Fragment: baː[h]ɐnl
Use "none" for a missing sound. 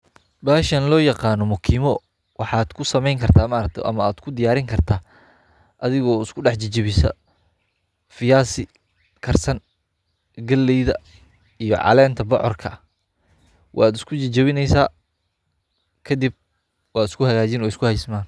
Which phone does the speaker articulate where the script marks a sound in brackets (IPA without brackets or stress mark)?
ʃ